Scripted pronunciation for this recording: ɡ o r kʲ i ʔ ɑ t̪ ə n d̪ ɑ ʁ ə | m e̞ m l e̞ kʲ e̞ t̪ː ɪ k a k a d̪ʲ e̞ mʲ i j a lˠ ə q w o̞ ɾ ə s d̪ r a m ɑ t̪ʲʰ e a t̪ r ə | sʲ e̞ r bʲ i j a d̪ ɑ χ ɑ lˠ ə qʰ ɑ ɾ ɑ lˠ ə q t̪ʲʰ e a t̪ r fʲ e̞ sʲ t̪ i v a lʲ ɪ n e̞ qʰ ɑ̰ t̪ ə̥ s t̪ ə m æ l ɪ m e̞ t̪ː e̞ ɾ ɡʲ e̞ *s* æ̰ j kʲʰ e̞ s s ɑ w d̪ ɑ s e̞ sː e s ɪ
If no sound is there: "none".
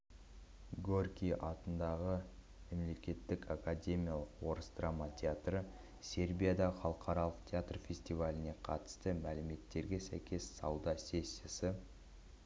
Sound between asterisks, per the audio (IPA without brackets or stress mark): s